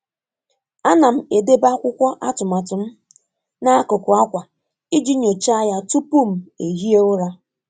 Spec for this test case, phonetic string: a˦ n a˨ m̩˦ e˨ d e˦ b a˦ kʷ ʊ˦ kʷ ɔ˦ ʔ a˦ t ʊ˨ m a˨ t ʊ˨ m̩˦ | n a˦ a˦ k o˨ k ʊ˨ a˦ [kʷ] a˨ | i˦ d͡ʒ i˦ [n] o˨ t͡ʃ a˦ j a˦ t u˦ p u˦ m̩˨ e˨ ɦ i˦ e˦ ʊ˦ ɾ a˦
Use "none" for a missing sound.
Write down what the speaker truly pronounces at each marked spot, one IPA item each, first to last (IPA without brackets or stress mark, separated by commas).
kʷ, ɲ